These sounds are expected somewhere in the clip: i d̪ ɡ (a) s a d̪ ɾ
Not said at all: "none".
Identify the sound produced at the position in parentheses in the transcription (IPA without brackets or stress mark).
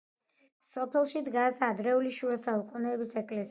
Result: a